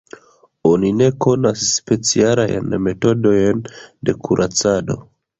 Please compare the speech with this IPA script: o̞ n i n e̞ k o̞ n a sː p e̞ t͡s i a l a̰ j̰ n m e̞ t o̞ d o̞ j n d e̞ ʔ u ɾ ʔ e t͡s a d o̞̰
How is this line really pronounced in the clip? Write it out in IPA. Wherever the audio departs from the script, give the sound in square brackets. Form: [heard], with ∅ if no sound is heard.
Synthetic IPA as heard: o̞ n i n e̞ k o̞ n a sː p e̞ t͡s i a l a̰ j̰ n m e̞ t o̞ d o̞ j n d e̞ [k] u ɾ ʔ [a] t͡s a d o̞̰